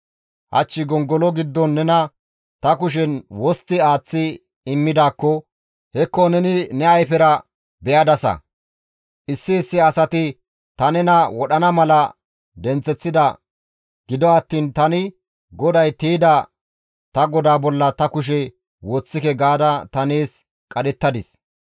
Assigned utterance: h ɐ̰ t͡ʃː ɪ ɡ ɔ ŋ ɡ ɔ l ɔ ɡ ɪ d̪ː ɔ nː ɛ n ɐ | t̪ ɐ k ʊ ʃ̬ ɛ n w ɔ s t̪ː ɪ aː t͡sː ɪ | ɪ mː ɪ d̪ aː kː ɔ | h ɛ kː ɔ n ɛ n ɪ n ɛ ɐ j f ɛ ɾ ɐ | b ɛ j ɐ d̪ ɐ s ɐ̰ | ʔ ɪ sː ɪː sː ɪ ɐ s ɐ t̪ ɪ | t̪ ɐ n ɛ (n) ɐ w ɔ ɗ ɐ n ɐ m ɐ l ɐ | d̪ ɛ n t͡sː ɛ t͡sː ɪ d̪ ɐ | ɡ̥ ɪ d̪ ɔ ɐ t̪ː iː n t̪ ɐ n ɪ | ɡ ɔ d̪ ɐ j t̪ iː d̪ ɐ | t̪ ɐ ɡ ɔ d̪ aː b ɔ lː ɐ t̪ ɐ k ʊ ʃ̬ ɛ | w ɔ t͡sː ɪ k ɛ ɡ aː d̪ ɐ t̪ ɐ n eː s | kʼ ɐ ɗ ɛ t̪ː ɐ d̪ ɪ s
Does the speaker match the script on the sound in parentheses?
yes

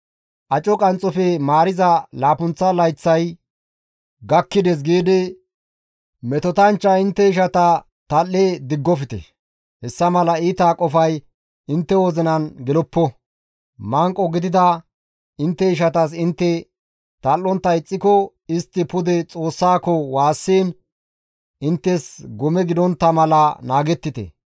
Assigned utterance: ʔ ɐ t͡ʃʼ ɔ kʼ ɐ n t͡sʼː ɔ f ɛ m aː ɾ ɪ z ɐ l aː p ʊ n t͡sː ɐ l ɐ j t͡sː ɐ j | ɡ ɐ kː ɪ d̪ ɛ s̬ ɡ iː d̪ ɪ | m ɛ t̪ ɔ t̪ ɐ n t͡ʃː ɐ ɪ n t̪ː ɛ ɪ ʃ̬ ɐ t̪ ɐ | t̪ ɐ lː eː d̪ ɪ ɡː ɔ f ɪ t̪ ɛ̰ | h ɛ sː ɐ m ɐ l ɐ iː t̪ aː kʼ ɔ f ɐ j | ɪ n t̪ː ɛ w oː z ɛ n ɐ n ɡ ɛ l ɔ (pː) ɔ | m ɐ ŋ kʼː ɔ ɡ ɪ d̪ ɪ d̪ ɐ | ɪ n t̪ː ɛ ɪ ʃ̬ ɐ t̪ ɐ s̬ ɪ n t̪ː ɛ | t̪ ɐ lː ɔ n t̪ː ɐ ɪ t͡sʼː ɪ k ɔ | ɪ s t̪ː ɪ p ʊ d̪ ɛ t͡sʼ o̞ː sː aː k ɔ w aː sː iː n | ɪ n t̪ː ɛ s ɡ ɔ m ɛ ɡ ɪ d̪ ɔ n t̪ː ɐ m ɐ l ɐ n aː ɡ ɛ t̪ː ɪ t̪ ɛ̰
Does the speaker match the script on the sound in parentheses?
yes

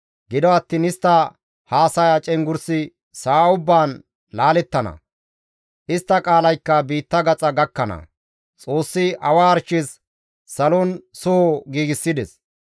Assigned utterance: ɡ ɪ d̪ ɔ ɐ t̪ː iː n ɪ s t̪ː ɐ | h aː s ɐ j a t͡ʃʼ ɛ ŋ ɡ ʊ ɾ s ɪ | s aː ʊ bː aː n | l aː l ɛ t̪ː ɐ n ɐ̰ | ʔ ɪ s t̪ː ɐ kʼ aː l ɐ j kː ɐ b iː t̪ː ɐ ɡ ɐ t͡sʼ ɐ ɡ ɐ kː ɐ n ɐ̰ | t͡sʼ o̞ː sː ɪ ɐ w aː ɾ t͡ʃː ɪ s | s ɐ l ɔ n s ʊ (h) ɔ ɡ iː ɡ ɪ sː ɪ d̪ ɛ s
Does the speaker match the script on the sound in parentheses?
yes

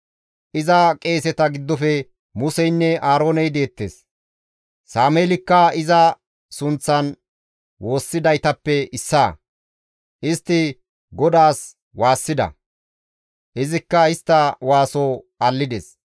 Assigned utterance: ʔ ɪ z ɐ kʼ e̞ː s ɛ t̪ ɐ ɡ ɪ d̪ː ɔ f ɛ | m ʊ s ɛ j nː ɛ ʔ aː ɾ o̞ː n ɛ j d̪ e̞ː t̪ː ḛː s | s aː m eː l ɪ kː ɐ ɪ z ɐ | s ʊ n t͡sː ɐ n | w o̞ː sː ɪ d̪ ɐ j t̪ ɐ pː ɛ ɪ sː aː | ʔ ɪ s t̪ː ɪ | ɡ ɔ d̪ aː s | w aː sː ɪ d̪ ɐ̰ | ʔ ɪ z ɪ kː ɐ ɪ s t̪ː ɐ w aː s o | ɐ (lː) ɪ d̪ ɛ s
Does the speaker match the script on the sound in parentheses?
yes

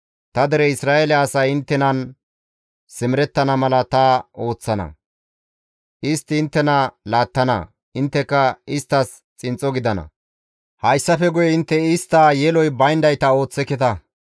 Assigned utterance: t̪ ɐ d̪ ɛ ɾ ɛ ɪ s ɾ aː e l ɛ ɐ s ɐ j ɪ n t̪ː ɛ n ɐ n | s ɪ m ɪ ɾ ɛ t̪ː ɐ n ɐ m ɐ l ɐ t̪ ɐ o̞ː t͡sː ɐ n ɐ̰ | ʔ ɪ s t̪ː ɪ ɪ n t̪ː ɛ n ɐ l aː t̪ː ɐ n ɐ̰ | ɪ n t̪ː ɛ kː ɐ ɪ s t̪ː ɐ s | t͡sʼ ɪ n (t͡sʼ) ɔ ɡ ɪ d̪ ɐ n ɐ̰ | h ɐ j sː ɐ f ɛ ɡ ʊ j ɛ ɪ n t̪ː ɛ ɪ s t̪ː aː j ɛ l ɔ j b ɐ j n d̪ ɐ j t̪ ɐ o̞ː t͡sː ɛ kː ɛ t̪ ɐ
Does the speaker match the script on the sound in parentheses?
yes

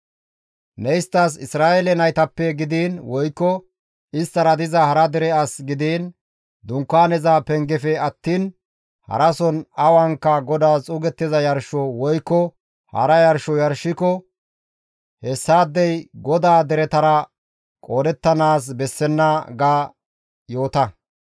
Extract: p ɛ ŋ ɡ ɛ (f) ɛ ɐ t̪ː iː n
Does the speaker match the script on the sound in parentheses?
yes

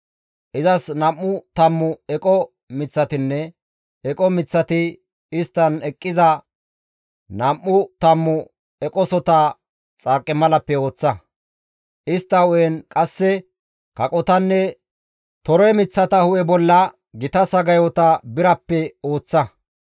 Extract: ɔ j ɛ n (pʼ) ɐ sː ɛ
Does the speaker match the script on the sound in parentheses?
no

